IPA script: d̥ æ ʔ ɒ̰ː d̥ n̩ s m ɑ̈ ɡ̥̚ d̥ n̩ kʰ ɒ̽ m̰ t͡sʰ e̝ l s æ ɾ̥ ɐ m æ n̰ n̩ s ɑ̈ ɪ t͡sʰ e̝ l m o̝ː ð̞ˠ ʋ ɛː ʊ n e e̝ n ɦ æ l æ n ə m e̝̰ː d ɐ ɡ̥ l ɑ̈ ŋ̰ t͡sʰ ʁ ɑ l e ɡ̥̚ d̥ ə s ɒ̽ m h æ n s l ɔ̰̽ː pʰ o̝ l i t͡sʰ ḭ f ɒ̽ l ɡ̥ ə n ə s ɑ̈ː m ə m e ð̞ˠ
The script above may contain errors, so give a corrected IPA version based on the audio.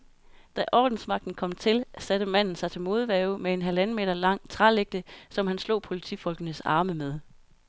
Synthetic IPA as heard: d̥ æ ʔ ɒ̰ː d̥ n̩ s m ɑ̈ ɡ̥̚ d̥ n̩ kʰ ɒ̽ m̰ t͡sʰ e̝ l s æ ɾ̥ ə m æ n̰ n̩ s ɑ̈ ɪ t͡sʰ e̝ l m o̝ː ð̞ˠ ʋ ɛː ʊ m e e̝ n ɦ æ l æ n ə m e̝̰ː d ɐ l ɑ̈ ŋ̰ t͡sʰ ʁ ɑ l e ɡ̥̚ d̥ ə s ɒ̽ m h æ n s l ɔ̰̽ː pʰ o̝ l i t͡sʰ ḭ f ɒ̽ l ɡ̥ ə n ə s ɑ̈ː m ə m e ð̞ˠ